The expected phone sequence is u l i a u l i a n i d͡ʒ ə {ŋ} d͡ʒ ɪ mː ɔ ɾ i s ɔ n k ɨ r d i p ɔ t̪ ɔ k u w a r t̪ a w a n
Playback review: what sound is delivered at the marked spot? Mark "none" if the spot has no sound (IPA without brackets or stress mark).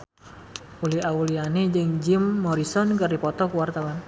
ŋ